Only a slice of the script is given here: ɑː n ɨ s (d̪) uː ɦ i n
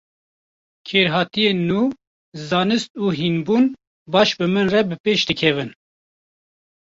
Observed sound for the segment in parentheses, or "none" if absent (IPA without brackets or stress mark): t̪